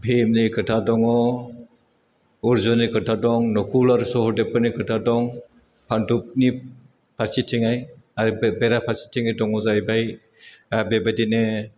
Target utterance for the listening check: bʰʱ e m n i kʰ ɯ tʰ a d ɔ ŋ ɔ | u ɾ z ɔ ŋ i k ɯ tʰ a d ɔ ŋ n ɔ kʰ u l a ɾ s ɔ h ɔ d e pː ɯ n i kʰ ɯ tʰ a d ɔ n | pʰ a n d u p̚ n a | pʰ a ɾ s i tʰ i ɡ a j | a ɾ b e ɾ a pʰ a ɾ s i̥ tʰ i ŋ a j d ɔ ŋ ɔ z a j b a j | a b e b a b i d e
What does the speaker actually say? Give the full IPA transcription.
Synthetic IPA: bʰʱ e m n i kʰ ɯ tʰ a d ɔ ŋ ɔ | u ɾ z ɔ n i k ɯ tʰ a d ɔ ŋ n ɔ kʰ u l a ɾ s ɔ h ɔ d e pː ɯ n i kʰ ɯ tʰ a d ɔ ŋ | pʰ a n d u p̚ n i | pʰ a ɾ s i tʰ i ŋ a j | a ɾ b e ɾ a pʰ a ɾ s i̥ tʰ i ŋ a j d ɔ ŋ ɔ z a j b a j | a b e b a d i n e